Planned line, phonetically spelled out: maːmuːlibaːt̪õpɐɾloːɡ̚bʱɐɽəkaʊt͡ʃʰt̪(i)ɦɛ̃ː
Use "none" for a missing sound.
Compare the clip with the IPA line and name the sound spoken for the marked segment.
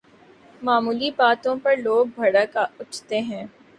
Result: e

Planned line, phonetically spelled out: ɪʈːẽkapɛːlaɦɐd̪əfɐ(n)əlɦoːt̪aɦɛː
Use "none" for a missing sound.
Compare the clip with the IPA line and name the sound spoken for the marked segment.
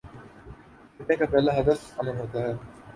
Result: m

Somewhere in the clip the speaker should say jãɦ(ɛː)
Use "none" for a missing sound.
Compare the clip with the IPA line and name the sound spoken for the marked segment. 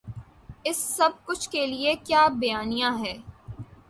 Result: ɛː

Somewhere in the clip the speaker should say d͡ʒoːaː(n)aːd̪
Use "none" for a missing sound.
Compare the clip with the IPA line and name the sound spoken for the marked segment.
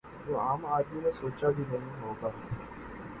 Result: m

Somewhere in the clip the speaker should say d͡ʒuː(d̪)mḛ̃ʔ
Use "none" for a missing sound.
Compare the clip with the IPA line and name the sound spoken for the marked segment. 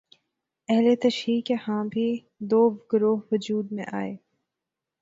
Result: d̪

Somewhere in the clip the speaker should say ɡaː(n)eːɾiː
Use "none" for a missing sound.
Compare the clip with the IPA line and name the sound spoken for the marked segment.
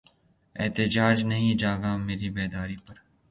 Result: m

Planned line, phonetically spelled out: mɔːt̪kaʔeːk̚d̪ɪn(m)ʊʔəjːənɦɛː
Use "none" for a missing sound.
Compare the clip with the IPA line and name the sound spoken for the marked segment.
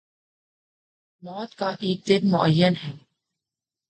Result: m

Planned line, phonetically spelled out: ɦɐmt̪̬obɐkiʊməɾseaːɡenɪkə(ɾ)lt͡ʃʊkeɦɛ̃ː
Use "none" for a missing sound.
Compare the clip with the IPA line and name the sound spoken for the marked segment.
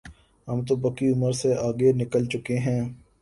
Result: none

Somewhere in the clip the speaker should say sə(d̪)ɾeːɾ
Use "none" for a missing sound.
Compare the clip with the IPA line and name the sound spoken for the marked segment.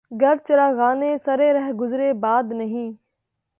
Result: none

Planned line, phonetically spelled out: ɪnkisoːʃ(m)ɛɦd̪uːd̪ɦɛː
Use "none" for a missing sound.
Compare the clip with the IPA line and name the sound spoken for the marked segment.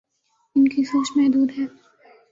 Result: m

